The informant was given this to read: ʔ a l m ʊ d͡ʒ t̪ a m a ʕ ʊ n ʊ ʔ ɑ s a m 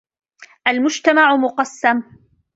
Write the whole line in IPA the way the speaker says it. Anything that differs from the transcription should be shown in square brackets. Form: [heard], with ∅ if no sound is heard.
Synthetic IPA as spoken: ʔ a l m ʊ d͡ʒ t̪ a m a ʕ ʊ [m] ʊ [q] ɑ [sː] a m